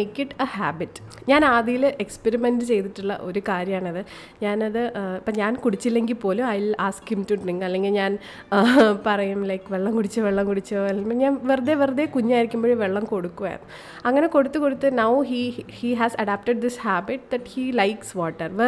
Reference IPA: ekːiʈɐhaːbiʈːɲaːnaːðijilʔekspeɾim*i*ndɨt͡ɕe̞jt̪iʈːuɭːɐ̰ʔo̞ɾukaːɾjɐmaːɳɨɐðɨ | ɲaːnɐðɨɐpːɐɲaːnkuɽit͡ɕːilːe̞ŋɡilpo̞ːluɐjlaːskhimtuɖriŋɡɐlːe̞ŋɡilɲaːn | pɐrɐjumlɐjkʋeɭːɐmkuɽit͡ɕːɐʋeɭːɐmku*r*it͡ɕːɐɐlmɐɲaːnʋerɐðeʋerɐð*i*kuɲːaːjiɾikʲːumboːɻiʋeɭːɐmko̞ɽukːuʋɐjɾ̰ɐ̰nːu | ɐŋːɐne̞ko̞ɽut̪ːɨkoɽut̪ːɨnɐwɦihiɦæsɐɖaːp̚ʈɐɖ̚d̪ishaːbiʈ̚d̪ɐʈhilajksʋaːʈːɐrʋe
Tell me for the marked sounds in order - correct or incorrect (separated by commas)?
incorrect, incorrect, incorrect